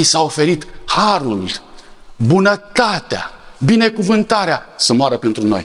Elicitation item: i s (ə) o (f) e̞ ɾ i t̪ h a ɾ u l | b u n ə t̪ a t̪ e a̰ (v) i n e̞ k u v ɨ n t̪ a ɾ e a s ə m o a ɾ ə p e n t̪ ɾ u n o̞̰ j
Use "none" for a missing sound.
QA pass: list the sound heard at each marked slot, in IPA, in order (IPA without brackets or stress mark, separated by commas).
a, f, b